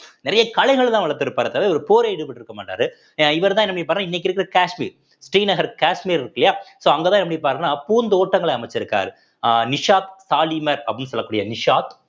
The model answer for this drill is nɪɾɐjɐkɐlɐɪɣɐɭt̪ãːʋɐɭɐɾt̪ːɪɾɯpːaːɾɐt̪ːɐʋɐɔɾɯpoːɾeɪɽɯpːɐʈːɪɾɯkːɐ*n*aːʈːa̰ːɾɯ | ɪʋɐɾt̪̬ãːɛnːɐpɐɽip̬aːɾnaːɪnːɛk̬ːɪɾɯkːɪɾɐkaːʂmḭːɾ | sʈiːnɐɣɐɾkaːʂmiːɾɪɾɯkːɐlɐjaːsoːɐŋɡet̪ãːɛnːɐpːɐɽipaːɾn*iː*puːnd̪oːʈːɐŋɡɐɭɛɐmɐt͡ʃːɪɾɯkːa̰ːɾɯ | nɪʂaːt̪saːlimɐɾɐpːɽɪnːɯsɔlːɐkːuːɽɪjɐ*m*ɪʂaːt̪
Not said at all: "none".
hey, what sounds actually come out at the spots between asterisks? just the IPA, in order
m, aː, n

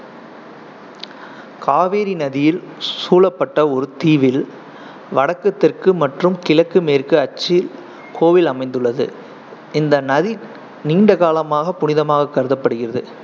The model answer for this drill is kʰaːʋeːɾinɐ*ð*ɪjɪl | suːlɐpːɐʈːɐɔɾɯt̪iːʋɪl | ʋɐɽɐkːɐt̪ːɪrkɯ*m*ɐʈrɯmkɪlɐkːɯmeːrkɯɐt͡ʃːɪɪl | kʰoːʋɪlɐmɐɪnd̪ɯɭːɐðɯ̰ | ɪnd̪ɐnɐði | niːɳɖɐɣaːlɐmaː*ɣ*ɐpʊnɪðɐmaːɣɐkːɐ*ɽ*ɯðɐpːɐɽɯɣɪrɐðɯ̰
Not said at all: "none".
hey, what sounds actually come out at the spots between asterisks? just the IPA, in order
ð, m, ɣ, ɾ

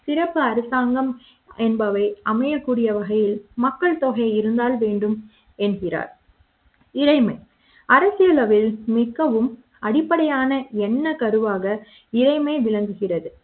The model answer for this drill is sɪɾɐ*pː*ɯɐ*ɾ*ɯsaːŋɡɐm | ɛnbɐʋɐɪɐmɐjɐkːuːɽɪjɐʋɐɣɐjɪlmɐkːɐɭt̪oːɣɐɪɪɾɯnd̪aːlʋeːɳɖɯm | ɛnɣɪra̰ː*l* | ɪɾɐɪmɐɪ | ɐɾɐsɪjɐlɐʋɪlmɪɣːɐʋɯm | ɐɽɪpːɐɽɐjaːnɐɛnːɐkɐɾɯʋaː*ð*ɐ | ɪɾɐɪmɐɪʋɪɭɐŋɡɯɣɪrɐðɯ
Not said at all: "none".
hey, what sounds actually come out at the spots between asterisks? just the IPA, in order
pː, ɾ, ɾ, ɣ

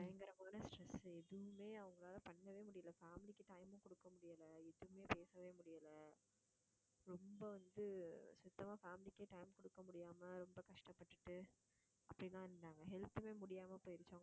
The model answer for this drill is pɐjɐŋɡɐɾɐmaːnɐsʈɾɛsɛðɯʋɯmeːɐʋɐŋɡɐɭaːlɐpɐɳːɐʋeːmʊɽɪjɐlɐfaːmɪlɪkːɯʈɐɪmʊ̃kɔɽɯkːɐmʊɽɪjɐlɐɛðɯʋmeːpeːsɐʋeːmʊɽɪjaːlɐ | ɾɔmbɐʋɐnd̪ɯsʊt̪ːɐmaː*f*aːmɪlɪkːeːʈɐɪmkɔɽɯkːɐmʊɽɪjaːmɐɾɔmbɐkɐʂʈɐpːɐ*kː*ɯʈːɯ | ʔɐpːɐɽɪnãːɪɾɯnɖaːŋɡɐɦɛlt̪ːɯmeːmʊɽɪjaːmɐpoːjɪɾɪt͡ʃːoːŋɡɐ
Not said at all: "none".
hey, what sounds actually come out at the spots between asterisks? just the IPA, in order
f, ʈː

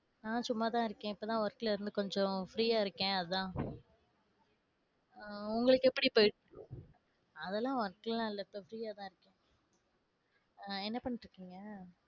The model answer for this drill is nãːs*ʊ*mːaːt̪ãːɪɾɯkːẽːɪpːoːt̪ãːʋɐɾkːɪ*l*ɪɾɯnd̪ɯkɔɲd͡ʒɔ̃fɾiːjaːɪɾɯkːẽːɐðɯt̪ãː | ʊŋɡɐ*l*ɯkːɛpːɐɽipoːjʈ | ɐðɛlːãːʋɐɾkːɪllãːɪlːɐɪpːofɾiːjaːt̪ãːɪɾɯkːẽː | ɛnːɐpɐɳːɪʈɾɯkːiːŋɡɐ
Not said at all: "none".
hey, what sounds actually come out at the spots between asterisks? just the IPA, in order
ʊ, l, ɭ

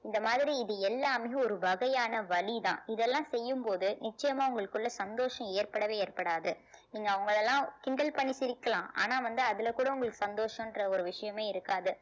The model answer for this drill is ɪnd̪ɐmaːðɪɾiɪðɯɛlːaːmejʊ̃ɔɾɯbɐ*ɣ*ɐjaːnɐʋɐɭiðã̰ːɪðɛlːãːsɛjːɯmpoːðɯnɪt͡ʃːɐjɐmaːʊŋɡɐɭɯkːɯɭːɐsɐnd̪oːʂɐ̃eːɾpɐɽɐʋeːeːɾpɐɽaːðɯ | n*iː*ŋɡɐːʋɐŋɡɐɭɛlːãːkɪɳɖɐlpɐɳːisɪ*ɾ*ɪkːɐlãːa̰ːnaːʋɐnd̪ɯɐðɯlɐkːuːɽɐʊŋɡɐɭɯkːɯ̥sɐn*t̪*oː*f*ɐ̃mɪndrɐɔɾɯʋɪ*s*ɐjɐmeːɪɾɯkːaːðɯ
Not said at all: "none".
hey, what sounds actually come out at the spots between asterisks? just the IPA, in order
ɣ, iː, ɾ, d̪, ʂ, ʂ

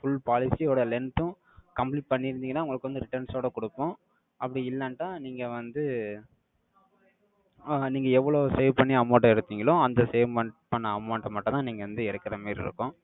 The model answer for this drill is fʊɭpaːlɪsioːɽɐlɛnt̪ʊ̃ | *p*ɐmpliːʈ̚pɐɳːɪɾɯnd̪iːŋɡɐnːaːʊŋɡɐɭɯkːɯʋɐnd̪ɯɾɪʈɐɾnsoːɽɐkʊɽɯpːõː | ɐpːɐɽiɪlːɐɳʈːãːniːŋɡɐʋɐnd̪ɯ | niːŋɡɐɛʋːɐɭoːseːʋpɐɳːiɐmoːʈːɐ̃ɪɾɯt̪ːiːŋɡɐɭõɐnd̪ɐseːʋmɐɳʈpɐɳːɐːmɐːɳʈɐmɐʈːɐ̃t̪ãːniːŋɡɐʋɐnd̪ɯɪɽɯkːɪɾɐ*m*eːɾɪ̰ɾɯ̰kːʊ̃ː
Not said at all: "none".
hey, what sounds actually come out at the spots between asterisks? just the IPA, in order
k, m

